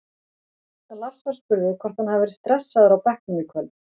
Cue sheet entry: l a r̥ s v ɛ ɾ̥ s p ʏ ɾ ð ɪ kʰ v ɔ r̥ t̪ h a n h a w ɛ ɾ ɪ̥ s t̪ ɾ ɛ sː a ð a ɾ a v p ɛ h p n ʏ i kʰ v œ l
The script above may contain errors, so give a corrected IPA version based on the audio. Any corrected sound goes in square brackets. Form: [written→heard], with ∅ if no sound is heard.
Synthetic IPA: l a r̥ s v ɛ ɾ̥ s p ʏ ɾ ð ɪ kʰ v ɔ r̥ t̪ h a n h a [w→v] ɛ ɾ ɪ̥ s t̪ ɾ ɛ sː a ð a ɾ a [v→w] p ɛ h [p→k] n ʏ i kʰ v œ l

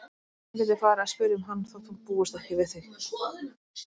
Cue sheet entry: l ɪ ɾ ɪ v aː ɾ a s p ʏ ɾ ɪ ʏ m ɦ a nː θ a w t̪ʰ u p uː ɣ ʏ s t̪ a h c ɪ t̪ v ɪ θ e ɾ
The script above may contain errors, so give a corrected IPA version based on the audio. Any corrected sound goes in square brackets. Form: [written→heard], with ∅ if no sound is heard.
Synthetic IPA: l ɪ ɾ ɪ [v→f] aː ɾ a s p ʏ ɾ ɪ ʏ m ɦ a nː θ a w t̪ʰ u p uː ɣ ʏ s t̪ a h c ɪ [t̪→∅] v ɪ θ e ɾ

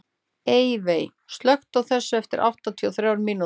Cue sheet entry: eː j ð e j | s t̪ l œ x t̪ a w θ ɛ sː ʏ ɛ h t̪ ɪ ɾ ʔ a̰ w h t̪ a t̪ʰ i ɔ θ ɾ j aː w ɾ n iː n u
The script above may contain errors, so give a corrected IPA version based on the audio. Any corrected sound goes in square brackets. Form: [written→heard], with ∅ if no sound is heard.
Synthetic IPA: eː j [ð→v] e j | s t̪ l œ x t̪ a w θ ɛ sː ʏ ɛ [h→f] t̪ ɪ ɾ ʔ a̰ w h t̪ a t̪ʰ i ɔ θ ɾ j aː w ɾ [n→m] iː n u

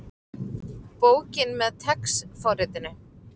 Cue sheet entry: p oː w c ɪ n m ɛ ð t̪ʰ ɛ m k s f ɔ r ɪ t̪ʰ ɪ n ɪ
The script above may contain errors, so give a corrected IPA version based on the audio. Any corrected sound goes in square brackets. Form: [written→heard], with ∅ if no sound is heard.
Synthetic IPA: p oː w c ɪ n m ɛ ð t̪ʰ ɛ [m→∅] k s f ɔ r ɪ [t̪ʰ→t̪] ɪ n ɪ

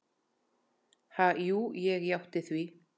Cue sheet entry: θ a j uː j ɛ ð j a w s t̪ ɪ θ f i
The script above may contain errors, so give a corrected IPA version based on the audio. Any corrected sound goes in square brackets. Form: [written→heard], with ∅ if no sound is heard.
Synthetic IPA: [θ→h] a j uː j ɛ [ð→ɣ] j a w [s→h] t̪ ɪ θ [f→v] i

